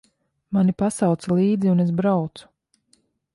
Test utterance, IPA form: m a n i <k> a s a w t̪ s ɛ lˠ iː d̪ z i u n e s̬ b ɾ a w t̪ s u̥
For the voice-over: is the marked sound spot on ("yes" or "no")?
no